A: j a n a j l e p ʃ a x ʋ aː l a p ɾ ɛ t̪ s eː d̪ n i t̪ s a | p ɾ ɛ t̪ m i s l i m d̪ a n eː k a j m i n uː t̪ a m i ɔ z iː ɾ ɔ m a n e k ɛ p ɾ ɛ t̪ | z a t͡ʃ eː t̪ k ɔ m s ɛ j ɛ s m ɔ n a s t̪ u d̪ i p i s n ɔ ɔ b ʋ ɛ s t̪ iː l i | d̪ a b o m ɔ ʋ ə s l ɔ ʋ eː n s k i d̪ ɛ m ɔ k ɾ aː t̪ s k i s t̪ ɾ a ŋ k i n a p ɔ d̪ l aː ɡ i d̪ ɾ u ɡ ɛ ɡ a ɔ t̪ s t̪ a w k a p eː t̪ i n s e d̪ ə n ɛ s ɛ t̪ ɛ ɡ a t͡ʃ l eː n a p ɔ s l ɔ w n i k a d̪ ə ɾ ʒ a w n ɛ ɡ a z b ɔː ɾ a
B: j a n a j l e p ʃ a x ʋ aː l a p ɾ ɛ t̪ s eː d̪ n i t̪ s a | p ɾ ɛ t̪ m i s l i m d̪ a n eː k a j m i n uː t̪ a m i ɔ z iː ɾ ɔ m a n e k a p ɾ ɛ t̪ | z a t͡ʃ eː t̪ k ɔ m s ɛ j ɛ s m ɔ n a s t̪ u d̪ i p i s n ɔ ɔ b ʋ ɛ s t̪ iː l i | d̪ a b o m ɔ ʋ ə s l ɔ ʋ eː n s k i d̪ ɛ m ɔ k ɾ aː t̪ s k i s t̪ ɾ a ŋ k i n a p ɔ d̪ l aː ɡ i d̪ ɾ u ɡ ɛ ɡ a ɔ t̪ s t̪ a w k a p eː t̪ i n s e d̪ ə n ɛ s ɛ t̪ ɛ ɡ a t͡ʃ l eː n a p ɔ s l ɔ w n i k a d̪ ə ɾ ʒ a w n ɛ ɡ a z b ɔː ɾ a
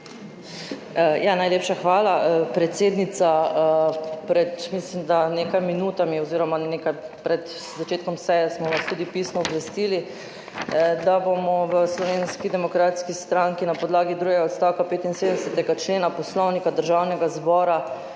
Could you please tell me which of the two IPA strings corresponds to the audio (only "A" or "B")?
B